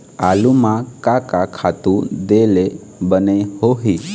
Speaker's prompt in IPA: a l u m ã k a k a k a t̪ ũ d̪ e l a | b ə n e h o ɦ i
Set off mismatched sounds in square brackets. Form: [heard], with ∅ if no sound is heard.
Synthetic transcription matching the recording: a l u m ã k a k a [kʰ] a t̪ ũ d̪ e l [e] | b ə n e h o ɦ i